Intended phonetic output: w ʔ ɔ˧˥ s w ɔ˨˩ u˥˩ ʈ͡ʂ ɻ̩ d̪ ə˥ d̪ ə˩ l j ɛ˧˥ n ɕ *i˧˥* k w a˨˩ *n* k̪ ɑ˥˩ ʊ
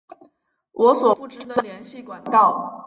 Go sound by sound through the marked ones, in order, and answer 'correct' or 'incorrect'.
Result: incorrect: i˥˩, correct

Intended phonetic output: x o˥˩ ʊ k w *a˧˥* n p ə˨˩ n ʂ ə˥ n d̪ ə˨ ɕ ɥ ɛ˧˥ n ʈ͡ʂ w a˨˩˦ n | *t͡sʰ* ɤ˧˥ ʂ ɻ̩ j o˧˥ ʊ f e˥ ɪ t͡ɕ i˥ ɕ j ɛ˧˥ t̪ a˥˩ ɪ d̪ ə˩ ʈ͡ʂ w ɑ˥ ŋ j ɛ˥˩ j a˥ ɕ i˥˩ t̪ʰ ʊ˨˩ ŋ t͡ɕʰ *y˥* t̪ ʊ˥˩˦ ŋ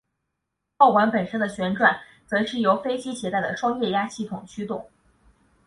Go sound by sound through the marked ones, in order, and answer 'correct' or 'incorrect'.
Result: correct, incorrect: t͡s, correct

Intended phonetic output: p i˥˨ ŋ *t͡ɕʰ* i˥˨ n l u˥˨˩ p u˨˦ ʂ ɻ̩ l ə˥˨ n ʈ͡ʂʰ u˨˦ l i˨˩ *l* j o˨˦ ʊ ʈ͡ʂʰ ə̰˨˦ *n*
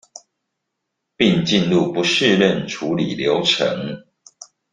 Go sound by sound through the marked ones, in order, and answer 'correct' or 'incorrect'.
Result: incorrect: t͡ɕ, correct, incorrect: ŋ

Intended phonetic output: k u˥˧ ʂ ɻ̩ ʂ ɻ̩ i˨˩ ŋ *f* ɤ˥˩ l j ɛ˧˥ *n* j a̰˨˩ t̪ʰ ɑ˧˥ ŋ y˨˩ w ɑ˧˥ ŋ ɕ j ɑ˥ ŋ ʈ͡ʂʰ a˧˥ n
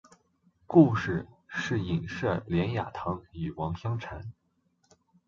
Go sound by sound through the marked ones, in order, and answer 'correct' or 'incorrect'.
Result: incorrect: ʂ, correct

